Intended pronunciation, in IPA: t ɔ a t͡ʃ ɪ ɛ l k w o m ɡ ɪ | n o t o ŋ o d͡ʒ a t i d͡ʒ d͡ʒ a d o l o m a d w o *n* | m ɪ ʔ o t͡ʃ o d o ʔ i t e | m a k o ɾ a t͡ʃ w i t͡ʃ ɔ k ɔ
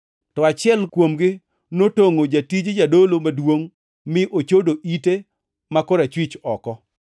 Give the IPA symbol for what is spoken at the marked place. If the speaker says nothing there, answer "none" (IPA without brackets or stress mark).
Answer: ŋ